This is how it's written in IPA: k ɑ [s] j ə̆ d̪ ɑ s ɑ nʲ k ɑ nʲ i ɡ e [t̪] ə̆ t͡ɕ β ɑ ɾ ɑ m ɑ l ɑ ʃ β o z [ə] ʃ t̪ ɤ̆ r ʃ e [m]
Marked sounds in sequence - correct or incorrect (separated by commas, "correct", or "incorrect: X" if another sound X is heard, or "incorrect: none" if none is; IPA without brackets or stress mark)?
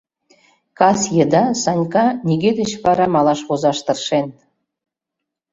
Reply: correct, incorrect: d̪, incorrect: ɑ, incorrect: n